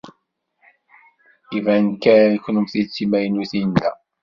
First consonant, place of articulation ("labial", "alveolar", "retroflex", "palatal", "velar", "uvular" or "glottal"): labial